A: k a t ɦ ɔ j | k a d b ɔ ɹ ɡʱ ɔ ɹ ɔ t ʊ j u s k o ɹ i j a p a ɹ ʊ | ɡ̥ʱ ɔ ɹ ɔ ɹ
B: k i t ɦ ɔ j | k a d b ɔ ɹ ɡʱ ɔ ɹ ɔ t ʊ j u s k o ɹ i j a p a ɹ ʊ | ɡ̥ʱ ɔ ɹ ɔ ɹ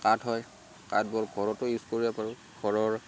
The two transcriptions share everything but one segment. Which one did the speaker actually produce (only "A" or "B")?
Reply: A